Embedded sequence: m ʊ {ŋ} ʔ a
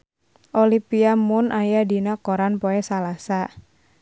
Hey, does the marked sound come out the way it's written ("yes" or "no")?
no